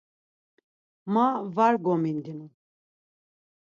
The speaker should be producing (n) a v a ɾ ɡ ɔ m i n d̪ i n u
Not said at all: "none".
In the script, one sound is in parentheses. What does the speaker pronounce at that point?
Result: m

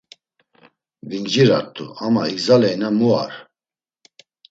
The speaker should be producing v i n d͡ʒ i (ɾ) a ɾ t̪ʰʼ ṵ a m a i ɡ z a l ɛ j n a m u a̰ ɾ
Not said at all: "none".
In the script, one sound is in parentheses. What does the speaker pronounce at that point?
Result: ɾ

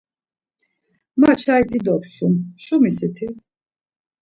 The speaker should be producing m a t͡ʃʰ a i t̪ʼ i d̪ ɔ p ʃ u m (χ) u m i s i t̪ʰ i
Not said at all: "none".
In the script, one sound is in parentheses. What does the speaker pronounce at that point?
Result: ʃ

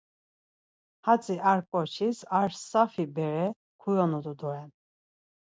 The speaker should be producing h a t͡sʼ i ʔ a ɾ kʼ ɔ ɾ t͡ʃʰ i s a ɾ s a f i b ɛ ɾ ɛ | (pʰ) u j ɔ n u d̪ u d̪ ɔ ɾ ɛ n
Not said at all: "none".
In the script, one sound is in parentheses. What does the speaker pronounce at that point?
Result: kʰ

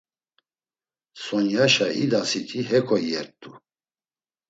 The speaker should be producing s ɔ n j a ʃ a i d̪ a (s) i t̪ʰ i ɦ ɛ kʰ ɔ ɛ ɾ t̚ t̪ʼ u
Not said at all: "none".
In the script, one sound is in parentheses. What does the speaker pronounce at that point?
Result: s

